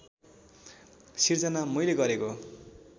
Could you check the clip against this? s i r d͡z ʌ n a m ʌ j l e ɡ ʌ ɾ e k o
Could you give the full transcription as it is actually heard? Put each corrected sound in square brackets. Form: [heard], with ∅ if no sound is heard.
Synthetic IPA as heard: s i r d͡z ʌ n a m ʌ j l e ɡ ʌ ɾ e k o

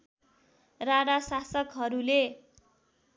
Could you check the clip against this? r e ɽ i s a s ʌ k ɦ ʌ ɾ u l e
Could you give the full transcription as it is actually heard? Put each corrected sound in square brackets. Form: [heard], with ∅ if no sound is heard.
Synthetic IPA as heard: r [a] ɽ [a] s a s ʌ k ɦ ʌ ɾ u l e

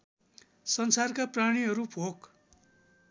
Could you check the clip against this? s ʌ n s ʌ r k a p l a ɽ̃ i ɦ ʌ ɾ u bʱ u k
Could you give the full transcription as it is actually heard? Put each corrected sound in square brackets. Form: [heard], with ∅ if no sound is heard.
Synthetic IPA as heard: s ʌ n s [a] r k a p [r] a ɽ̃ i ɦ ʌ ɾ u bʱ [o] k

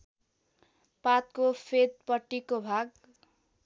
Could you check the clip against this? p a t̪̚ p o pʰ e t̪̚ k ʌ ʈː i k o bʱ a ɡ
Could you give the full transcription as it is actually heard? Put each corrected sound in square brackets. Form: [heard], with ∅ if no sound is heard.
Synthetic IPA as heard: p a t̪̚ [k] o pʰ e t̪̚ [p] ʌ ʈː i k o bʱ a ɡ

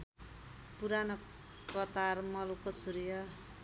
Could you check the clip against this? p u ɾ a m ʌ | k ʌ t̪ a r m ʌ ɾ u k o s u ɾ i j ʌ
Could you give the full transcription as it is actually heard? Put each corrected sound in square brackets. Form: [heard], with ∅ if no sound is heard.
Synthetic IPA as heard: p u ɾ a [n] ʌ | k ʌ t̪ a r m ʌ [l] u k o s u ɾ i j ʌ

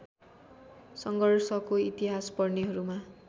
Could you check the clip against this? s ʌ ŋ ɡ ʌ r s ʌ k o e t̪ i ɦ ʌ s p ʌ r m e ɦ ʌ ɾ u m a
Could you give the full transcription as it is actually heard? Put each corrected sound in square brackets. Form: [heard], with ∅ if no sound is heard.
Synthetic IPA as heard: s ʌ ŋ ɡ ʌ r s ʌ k o [i] t̪ i ɦ [a] s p ʌ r [n] e ɦ ʌ ɾ u m a

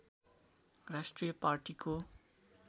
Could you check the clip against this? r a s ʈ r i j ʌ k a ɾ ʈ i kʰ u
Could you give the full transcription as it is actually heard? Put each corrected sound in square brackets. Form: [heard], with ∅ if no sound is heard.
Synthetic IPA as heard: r a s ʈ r i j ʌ [p] a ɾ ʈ i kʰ [o]

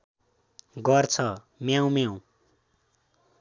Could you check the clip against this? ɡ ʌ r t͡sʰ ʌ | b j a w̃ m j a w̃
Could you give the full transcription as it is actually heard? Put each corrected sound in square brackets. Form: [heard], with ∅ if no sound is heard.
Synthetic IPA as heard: ɡ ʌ r t͡sʰ ʌ | [m] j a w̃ m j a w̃

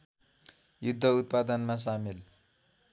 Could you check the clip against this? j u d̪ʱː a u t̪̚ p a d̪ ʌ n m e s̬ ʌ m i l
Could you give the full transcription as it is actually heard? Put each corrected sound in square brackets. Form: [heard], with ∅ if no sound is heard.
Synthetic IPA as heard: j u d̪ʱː [ʌ] u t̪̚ p a d̪ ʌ n m [a] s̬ [a] m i l

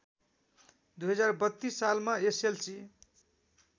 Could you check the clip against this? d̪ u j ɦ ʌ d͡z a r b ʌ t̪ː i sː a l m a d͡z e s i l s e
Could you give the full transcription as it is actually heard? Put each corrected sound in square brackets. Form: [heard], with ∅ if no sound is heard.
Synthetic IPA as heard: d̪ u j ɦ ʌ d͡z a r b ʌ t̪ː i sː a l m a [∅] e s [e] l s [i]

